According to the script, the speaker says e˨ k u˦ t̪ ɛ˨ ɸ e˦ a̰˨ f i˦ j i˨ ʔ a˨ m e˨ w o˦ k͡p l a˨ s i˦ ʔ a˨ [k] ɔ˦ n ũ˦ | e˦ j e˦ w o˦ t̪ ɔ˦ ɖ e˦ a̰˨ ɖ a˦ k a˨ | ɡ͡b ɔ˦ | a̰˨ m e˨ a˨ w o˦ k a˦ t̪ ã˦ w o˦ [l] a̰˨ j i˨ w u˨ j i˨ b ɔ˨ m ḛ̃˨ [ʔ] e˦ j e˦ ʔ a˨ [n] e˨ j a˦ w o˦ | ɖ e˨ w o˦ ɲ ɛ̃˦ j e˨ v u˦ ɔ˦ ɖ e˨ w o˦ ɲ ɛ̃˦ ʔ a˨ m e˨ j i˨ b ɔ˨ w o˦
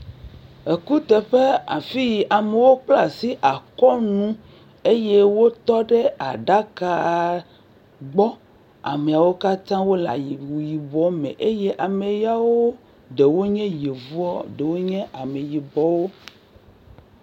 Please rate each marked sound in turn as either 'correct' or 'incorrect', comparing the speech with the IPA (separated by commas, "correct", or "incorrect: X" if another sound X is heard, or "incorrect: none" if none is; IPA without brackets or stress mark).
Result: correct, correct, correct, incorrect: m